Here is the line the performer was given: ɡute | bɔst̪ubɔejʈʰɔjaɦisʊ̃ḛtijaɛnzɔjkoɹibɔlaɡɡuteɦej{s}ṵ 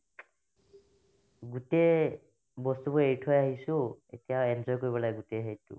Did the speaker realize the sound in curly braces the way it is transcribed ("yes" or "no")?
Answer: no